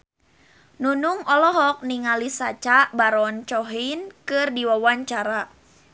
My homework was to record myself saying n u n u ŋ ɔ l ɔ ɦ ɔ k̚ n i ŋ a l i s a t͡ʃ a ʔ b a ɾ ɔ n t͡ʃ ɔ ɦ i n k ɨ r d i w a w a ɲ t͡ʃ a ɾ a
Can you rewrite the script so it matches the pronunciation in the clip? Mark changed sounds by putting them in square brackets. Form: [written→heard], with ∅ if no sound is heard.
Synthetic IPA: n u n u ŋ ɔ l ɔ ɦ ɔ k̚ n i ŋ a l i s a t͡ʃ a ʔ b a ɾ ɔ n t͡ʃ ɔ ɦ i n k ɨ r d i w a w a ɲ t͡ʃ a ɾ a